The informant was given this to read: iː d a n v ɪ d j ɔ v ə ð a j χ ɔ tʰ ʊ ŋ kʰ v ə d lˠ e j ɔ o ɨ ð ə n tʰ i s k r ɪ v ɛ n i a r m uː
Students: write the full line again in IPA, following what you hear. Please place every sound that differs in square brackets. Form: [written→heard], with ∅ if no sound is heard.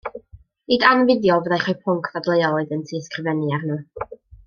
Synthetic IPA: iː d a n v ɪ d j ɔ v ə ð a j χ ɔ [tʰ→pʰ] ʊ ŋ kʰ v [ə→a] d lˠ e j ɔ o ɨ ð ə n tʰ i s k r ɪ v ɛ n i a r [m→n] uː